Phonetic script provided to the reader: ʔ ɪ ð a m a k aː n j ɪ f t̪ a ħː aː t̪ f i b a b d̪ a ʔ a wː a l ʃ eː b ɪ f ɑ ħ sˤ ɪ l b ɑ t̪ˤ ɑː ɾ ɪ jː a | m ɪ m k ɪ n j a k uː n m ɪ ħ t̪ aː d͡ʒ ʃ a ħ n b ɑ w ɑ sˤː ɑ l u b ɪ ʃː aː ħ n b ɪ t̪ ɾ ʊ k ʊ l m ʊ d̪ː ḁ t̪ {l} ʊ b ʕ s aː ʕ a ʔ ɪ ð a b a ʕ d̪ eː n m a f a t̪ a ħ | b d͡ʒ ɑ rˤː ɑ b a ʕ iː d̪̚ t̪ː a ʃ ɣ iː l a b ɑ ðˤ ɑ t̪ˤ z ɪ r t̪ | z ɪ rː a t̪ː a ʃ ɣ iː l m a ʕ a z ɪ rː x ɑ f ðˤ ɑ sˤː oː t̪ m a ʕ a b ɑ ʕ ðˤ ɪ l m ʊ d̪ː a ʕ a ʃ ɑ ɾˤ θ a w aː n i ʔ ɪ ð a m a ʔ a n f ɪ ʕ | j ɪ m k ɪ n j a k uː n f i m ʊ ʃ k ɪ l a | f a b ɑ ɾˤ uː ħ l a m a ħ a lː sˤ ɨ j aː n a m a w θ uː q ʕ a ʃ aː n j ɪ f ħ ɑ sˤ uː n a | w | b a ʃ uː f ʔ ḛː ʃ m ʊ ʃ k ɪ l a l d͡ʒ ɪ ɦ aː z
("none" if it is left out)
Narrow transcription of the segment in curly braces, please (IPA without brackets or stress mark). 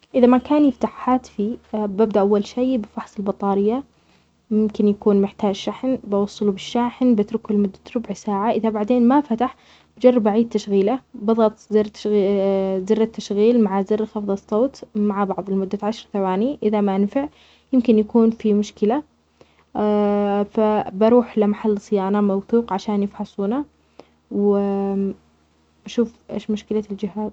ɾ